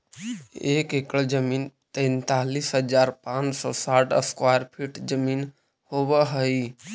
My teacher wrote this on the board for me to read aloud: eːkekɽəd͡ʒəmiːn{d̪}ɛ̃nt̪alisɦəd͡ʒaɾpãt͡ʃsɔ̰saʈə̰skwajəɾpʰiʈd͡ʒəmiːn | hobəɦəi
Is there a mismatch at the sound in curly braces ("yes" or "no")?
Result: yes